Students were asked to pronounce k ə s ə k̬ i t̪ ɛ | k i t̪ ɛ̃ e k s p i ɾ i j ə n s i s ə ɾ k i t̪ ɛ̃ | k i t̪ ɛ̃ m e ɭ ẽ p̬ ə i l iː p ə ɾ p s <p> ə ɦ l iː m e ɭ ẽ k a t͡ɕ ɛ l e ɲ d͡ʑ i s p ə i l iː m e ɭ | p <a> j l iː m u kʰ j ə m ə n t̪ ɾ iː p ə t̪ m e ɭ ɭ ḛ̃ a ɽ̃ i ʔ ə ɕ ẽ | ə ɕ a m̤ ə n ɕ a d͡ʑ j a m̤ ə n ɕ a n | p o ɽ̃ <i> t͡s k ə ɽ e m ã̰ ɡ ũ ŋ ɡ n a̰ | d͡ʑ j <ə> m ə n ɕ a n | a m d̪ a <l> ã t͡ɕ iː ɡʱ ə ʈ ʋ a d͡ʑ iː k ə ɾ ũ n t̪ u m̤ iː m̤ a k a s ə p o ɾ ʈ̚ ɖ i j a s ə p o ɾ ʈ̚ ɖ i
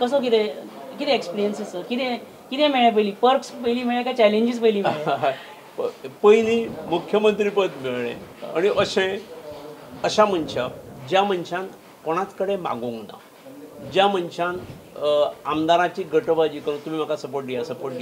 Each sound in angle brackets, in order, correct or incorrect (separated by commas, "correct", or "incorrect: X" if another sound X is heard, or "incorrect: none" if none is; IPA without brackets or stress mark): correct, incorrect: ə, incorrect: a, incorrect: a, incorrect: ɾ